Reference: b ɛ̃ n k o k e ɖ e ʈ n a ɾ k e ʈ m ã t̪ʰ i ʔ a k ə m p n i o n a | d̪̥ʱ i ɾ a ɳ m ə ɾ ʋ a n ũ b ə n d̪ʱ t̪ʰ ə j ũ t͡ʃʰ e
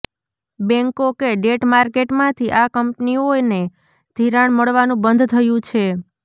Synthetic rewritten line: b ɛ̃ ŋ k o k e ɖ e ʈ m a ɾ k e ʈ m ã t̪ʰ i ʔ a k ə m p n i o n e | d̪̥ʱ i ɾ a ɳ m ə ɭ ʋ a n ũ b ə n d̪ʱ t̪ʰ ə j ũ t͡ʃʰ e